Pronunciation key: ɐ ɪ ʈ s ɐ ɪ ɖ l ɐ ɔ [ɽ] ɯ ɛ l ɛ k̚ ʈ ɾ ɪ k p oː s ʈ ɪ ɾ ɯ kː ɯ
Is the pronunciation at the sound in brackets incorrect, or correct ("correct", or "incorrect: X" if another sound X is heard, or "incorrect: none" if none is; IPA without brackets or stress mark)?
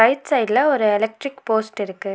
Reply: incorrect: ɾ